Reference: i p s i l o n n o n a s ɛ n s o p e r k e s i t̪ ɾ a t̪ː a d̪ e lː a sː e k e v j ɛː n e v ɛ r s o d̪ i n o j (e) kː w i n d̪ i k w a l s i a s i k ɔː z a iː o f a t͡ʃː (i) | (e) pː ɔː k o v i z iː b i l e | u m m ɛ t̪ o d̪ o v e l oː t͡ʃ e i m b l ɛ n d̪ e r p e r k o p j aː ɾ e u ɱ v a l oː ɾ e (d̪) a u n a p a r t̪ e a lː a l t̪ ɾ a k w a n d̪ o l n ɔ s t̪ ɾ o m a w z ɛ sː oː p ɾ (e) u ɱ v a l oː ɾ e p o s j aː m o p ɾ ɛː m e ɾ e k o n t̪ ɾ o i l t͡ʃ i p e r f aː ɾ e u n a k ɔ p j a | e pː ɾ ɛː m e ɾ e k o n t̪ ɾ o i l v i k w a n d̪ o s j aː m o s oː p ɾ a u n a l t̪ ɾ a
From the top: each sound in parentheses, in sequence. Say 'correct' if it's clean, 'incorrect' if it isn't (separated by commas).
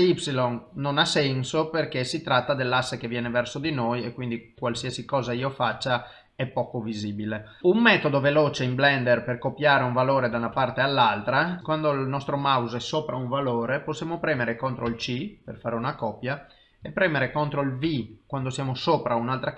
correct, incorrect, incorrect, correct, incorrect